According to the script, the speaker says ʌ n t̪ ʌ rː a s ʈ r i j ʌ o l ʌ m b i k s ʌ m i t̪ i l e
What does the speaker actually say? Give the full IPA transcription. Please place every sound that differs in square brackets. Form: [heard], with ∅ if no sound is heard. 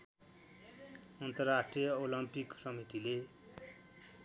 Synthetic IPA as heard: ʌ n t̪ ʌ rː a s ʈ r i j ʌ o l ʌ m [p] i k s ʌ m i t̪ i l e